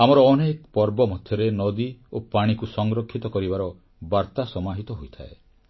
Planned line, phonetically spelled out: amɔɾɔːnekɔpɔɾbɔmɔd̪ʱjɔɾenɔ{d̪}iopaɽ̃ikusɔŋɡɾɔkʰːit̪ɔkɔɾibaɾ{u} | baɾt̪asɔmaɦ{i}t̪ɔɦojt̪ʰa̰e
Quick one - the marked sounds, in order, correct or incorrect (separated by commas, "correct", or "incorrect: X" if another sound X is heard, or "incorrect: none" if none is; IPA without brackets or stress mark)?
correct, incorrect: ɔ, correct